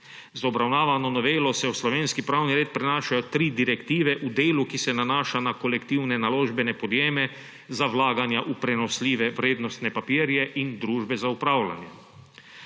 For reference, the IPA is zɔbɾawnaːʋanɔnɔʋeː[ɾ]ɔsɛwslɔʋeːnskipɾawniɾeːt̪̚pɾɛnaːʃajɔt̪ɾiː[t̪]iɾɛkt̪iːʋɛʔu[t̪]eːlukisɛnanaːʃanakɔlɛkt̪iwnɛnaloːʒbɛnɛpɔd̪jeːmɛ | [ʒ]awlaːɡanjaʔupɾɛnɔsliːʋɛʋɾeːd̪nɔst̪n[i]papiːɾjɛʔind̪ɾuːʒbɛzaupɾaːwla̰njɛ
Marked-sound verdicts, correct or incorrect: incorrect, incorrect, incorrect, incorrect, incorrect

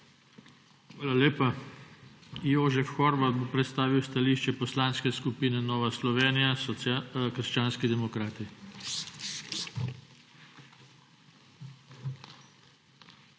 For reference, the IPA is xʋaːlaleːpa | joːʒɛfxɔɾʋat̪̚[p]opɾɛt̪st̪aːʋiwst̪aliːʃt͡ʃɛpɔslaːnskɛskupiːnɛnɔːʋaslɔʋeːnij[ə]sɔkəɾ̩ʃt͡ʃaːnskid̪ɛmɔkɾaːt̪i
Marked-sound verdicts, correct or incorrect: incorrect, incorrect

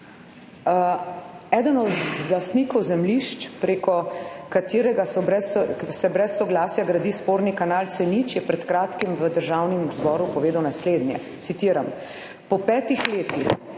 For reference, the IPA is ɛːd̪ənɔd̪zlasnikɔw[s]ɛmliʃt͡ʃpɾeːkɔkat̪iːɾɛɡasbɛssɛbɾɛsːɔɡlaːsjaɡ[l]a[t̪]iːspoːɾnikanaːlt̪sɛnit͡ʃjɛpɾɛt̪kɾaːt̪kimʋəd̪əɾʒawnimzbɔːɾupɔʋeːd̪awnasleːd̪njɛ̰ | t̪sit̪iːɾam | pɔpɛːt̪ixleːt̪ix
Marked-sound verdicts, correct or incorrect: incorrect, incorrect, incorrect

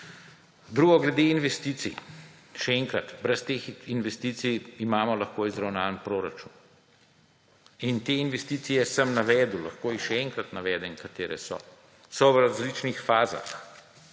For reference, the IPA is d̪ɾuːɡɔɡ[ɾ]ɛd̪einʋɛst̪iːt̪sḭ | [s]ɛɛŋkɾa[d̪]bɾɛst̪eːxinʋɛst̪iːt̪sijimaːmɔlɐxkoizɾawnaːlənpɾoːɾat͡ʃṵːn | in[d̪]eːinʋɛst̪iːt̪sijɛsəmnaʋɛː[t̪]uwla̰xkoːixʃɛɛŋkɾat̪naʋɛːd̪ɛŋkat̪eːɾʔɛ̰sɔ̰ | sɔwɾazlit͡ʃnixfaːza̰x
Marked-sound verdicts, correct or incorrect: incorrect, incorrect, incorrect, incorrect, incorrect

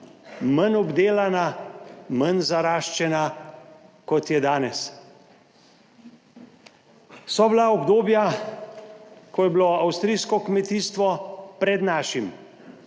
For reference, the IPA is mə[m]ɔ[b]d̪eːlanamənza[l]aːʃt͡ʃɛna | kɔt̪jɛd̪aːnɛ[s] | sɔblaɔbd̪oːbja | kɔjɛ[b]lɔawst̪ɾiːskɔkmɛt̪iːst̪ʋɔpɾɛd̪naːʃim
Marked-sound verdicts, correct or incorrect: incorrect, correct, incorrect, correct, correct

